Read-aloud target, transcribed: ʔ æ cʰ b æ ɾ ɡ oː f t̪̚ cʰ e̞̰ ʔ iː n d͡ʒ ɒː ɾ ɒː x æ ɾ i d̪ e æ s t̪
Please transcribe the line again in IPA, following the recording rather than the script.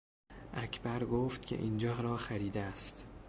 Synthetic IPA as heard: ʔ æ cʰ b æ ɾ ɡ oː f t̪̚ cʰ e̞̰ ʔ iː n d͡ʒ ɒː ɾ ɒː x æ ɾ iː d̪ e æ s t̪